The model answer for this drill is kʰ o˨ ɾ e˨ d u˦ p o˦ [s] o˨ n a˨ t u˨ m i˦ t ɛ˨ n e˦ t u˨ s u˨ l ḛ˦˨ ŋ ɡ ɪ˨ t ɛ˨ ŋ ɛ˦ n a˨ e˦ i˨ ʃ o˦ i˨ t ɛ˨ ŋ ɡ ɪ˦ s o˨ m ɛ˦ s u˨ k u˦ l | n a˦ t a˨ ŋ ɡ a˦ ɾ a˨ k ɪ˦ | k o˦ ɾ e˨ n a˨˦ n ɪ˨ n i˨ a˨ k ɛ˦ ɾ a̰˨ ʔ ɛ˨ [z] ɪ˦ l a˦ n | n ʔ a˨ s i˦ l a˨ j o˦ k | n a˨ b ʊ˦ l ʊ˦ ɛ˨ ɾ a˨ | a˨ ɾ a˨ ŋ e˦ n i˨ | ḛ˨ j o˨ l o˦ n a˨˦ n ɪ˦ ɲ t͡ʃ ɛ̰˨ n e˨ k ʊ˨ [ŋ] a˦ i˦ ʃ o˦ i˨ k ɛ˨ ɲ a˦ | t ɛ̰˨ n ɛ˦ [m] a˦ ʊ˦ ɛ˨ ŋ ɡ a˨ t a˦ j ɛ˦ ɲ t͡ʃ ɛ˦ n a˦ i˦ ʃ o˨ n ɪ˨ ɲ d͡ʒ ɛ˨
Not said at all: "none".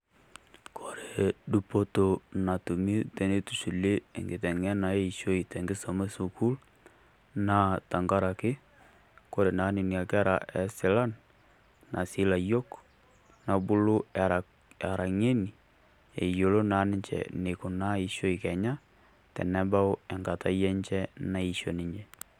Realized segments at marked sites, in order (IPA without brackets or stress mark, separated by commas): t, s, n, b